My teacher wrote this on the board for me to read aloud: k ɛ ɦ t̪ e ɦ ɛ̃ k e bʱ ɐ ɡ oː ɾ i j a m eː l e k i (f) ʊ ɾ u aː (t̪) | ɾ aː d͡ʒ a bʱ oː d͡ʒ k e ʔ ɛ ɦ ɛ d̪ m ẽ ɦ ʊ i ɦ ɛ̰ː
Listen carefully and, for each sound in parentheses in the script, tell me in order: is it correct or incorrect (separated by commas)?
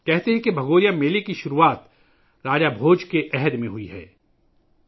incorrect, correct